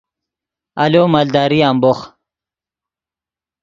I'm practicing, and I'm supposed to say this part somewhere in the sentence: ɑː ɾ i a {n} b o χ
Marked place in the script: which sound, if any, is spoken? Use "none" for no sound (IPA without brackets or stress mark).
m